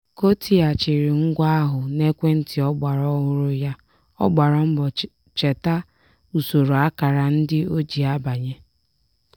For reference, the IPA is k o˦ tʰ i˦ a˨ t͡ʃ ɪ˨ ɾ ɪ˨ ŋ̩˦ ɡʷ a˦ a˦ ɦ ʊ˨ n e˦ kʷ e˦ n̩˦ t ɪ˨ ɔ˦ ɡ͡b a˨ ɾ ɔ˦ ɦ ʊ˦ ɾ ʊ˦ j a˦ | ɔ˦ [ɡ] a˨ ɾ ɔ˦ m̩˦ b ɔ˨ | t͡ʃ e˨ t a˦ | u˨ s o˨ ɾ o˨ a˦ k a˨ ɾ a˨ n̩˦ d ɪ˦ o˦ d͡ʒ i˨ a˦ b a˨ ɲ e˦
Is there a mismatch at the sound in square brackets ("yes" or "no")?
yes